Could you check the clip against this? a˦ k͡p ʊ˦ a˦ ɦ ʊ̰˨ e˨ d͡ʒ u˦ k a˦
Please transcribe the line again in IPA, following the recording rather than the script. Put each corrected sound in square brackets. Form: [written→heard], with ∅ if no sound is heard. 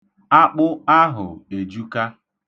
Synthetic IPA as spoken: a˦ k͡p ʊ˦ a˦ ɦ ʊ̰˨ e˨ d͡ʒ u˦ k a˦